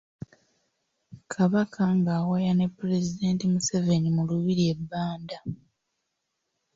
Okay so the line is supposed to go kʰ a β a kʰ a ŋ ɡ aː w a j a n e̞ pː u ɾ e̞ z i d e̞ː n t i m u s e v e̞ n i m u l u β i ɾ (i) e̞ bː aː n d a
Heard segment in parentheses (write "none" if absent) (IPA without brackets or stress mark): i